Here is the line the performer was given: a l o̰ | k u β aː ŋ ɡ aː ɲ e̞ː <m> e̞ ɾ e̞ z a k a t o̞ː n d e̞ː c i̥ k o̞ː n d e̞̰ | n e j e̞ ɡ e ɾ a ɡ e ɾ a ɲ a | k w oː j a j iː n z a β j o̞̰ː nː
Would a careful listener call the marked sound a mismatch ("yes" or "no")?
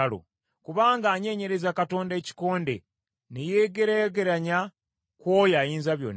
yes